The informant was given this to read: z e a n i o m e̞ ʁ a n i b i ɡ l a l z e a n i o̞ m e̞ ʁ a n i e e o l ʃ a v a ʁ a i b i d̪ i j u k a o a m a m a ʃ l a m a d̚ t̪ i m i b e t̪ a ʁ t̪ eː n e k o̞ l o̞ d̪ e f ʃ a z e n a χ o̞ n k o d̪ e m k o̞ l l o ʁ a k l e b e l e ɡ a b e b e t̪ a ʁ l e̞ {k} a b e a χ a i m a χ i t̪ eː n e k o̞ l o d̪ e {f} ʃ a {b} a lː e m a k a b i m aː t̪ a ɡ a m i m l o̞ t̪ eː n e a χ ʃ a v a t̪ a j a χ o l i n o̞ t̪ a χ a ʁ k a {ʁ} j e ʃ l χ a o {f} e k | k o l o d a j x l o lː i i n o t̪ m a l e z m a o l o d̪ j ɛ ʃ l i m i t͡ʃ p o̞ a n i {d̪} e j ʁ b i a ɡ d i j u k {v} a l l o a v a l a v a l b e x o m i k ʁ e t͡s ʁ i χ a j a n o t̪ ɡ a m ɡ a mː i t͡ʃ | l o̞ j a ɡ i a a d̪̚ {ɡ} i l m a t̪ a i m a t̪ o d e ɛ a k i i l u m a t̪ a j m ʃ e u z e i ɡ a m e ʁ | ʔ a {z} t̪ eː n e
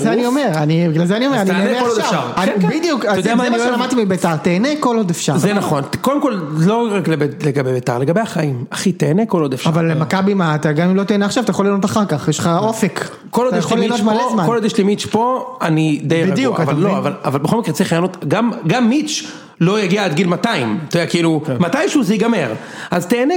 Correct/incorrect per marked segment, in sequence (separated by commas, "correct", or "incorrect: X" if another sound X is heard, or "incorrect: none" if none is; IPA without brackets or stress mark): incorrect: ɡ, correct, incorrect: v, incorrect: χ, correct, correct, correct, correct, correct